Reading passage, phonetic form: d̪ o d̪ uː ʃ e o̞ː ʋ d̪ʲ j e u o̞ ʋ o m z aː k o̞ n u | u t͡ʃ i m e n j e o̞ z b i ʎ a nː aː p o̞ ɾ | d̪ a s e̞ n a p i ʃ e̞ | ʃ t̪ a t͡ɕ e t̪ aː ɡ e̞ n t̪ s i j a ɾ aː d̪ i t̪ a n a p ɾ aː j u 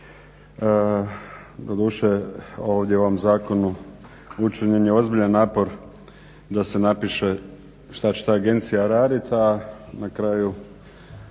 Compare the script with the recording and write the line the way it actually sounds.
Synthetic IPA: d̪ o d̪ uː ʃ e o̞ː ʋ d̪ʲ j e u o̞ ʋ o m z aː k o̞ n u | u t͡ʃ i ɲ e n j e o̞ z b i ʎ a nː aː p o̞ ɾ | d̪ a s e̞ n a p i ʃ e̞ | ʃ t̪ a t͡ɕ e t̪ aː ɡ e̞ n t̪ s i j a ɾ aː d̪ i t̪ a n a k ɾ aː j u